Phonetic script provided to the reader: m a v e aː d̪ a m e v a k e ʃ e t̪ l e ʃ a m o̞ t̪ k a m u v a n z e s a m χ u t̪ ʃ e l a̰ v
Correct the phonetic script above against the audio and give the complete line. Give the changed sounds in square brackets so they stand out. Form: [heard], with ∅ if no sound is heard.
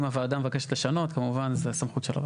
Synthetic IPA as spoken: m a v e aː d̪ a m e v a k e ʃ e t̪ l e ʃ a [n] o̞ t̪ k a m u v a n z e s a m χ u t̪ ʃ e l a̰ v